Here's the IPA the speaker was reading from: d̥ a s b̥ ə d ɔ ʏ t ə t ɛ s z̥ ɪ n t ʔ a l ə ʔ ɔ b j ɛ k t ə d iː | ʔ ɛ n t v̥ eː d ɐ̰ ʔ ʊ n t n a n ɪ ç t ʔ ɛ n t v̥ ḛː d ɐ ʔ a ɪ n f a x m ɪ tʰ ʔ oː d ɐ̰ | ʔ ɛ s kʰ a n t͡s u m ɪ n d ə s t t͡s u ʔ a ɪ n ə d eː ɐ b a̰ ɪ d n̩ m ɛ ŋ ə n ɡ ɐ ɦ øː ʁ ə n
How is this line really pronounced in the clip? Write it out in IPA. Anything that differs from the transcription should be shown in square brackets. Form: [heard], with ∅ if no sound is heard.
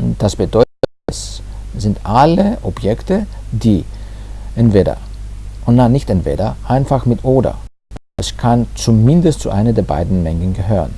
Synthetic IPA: d̥ a s b̥ ə d ɔ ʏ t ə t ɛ s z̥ ɪ n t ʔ a l ə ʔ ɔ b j ɛ k t ə d iː | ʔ ɛ n t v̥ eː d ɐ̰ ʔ ʊ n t n a n ɪ ç t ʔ ɛ n t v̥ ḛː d ɐ ʔ a ɪ n f a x m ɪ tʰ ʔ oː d ɐ̰ | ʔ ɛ s kʰ a n t͡s u m ɪ n d ə s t t͡s u ʔ a ɪ n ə d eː ɐ b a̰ ɪ d n̩ m ɛ ŋ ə n ɡ [ə] ɦ øː ʁ ə n